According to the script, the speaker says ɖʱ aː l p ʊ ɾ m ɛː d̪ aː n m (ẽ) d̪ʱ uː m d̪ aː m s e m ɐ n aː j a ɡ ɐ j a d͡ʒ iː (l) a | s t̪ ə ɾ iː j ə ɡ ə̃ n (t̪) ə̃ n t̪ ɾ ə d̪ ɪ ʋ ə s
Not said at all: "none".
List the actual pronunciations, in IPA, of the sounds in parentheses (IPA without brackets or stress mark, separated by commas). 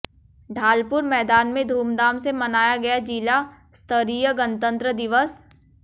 ẽ, l, t̪